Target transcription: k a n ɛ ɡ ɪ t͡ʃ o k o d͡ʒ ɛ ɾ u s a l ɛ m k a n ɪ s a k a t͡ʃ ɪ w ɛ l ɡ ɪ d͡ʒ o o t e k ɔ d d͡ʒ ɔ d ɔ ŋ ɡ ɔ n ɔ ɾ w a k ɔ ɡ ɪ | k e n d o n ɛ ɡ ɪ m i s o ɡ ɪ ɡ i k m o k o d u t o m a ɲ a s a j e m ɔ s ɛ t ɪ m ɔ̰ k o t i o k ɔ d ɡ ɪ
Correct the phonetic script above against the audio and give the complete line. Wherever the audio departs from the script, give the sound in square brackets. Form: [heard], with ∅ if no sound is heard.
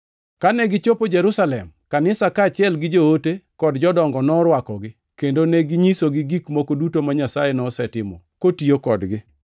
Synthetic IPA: k a n ɛ ɡ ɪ t͡ʃ o [p] o d͡ʒ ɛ ɾ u s a l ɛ m k a n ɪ s a k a t͡ʃ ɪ [∅] ɛ l ɡ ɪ d͡ʒ o o t e k ɔ d d͡ʒ ɔ d ɔ ŋ ɡ ɔ n ɔ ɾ w a k ɔ ɡ ɪ | k e n d o n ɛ ɡ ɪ [ɲ] i s o ɡ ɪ ɡ i k m o k o d u t o m a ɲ a s a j e [n] ɔ s ɛ t ɪ m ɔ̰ k o t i o k ɔ d ɡ ɪ